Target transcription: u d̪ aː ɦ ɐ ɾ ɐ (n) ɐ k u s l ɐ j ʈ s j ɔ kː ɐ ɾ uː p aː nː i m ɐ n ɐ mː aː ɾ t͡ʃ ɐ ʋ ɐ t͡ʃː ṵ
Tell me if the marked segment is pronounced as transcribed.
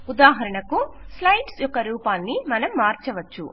no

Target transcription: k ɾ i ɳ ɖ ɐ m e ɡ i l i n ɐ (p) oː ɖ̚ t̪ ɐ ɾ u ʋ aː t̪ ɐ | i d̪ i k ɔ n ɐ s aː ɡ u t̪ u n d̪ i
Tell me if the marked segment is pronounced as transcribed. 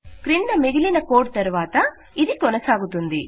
no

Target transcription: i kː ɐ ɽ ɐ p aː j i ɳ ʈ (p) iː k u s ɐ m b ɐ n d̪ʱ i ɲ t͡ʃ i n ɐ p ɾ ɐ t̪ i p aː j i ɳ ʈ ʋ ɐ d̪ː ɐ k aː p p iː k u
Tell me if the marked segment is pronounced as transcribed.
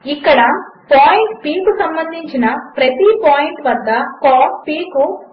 yes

